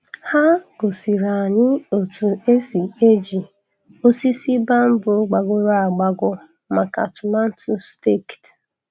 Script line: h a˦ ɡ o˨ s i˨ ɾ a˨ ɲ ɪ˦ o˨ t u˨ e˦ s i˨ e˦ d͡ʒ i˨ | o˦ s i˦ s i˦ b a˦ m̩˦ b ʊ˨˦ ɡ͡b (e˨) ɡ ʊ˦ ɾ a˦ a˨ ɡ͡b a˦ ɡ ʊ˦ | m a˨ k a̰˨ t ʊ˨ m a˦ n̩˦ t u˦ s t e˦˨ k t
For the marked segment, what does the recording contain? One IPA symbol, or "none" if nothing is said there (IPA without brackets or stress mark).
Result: a˨